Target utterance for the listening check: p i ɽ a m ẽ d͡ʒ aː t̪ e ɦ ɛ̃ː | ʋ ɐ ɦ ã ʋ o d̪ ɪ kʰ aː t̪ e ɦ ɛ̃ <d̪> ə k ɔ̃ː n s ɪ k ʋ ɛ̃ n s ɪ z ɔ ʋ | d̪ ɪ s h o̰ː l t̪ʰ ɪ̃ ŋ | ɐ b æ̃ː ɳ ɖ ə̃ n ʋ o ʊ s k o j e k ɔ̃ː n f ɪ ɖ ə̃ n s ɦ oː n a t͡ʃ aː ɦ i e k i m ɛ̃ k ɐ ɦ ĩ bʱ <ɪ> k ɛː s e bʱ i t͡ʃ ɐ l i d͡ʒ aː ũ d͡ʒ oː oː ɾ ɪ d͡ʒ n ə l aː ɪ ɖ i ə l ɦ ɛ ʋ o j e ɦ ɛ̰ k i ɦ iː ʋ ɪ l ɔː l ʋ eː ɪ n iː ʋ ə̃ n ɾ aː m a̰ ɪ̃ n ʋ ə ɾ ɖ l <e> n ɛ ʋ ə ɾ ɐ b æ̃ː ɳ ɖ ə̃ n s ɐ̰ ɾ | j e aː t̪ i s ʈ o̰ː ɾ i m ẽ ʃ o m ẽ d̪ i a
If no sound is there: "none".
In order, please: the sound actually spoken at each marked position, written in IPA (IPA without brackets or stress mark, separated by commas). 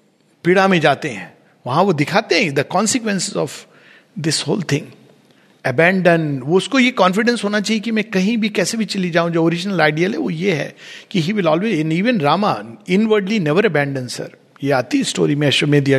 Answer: d̪, i, i